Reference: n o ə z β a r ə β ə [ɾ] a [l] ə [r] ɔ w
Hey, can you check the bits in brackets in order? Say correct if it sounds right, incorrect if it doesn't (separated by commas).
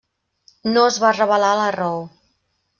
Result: incorrect, correct, correct